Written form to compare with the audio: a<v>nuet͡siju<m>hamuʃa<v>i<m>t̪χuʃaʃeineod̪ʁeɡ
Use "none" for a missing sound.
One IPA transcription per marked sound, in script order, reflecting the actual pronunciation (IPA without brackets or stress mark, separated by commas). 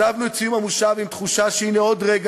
v, m, v, m